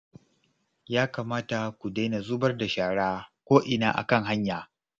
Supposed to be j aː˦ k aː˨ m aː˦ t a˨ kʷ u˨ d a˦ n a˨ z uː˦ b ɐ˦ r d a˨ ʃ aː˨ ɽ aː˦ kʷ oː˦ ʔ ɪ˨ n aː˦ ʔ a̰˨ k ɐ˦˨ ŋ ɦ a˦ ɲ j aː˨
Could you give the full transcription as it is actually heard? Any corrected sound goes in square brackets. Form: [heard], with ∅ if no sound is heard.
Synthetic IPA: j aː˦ k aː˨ m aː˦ t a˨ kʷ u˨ d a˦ n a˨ z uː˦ b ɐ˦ r d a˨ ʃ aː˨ ɽ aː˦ kʷ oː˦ ʔ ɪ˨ n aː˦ ʔ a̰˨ k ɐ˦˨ ŋ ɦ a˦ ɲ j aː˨